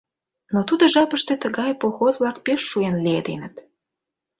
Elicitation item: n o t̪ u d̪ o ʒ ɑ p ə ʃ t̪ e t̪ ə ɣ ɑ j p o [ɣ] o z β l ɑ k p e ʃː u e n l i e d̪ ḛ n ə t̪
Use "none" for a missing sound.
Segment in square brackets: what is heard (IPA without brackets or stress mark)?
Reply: x